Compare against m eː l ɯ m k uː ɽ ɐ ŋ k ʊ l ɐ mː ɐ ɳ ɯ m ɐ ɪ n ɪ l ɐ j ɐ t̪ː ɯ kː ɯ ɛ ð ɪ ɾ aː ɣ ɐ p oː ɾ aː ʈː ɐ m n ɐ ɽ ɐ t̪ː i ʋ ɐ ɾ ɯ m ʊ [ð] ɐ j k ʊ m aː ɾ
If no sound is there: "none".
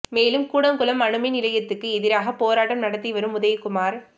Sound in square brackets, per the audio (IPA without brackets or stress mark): ð